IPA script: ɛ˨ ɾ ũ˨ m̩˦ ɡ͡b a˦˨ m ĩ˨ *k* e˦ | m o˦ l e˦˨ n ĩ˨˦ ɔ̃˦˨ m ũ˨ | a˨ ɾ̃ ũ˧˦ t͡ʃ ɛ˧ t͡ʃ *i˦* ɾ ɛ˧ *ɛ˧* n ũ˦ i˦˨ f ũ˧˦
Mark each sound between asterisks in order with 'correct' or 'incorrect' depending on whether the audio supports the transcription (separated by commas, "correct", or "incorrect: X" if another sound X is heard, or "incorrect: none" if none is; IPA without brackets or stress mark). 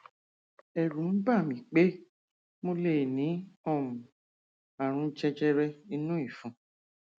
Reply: incorrect: k͡p, incorrect: ɛ˦, incorrect: i˧